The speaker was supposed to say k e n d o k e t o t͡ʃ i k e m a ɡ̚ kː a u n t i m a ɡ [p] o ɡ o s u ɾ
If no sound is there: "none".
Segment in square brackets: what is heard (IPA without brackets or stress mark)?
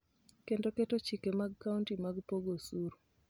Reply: p